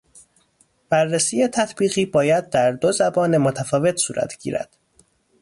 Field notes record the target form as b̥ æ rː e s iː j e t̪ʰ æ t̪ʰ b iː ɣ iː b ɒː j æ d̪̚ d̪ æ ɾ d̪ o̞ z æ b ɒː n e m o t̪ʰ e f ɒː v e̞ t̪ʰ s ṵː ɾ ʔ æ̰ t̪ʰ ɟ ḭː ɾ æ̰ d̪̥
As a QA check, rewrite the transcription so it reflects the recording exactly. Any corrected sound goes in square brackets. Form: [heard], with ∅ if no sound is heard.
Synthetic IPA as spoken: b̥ æ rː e s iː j e t̪ʰ æ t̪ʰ b iː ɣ iː b ɒː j æ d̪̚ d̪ æ ɾ d̪ o̞ z æ b ɒː n e m o t̪ʰ [æ] f ɒː v e̞ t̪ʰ s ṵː ɾ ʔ æ̰ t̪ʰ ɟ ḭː ɾ æ̰ d̪̥